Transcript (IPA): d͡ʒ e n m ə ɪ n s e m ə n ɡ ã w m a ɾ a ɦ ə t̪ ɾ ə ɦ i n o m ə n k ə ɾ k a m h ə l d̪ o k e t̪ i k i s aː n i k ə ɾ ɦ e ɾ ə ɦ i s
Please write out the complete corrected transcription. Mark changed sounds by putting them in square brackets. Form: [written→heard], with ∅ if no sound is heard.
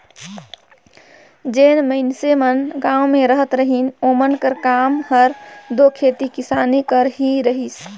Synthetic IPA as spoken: d͡ʒ e n m ə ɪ n s e m ə n ɡ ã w m [a→e] ɾ [a→ə] ɦ ə t̪ ɾ ə ɦ i n o m ə n k ə ɾ k a m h ə [l→ɾ] d̪ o [k→kʰ] e t̪ i k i s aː n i k ə ɾ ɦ [e→i] ɾ ə ɦ i s